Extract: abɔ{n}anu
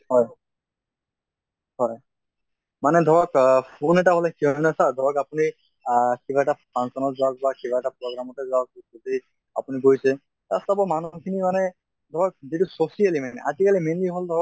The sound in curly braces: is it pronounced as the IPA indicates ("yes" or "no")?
no